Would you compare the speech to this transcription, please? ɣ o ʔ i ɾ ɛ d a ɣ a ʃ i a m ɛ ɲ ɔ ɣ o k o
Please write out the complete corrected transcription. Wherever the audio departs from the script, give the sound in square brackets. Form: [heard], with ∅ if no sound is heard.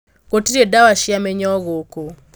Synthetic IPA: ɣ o [t] i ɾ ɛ d a [w] a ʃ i a m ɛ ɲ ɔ ɣ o k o